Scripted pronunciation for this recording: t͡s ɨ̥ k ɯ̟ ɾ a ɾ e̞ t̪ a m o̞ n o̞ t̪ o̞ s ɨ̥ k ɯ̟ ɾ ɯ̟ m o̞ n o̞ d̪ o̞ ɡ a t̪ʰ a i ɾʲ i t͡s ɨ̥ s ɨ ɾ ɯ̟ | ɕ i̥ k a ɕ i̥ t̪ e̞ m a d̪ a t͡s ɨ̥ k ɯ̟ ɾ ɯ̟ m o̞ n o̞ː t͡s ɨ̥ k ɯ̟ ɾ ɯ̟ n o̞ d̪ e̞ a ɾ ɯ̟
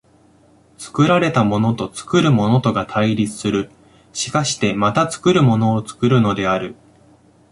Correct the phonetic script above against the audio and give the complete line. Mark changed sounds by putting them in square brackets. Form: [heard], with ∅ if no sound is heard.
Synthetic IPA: t͡s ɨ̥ k ɯ̟ ɾ a ɾ e̞ t̪ a m o̞ n o̞ t̪ o̞ [t͡s] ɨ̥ k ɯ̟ ɾ ɯ̟ m o̞ n o̞ [t̪] o̞ ɡ a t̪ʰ a i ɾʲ i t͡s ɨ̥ s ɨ ɾ ɯ̟ | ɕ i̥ k a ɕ i̥ t̪ e̞ m a [t̪] a t͡s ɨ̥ k ɯ̟ ɾ ɯ̟ m o̞ n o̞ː t͡s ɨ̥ k ɯ̟ ɾ ɯ̟ n o̞ d̪ e̞ a ɾ ɯ̟